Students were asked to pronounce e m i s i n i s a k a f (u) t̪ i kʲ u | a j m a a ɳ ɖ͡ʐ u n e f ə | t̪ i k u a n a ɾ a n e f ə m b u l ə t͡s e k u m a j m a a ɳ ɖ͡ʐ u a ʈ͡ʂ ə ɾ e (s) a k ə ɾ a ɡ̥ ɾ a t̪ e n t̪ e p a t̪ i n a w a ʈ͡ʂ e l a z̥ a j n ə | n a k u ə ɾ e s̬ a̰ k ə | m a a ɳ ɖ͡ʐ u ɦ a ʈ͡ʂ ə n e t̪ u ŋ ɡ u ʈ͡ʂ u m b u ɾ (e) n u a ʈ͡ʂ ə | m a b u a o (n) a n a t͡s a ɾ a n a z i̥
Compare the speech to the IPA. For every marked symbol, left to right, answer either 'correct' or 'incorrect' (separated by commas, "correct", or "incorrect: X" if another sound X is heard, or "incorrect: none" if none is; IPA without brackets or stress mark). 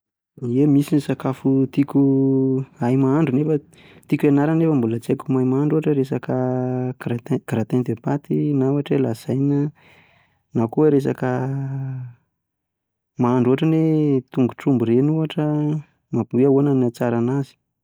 correct, correct, correct, correct